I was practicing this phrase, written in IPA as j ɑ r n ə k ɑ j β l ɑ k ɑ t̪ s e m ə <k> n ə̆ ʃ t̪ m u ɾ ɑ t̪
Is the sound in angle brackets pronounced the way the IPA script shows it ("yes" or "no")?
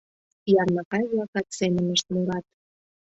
no